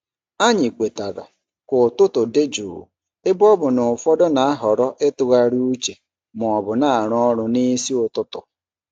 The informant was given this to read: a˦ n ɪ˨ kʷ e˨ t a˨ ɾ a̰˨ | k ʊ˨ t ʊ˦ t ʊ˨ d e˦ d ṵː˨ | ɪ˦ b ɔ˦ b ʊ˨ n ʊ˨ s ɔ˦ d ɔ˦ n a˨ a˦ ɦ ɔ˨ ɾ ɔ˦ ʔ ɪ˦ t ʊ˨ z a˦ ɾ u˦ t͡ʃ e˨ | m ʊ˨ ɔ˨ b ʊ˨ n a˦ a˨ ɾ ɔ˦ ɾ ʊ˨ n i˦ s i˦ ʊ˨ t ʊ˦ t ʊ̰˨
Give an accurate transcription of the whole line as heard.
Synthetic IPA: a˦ ɲ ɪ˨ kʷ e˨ t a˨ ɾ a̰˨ | k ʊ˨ t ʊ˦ t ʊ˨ d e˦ d͡ʒ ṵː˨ | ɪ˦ b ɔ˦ b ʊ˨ n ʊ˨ f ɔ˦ d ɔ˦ n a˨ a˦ ɦ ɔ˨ ɾ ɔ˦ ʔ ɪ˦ t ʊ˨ ɣ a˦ ɾ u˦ t͡ʃ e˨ | m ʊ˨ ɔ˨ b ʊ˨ n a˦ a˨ ɾ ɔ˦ ɾ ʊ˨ n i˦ s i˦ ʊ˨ t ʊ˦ t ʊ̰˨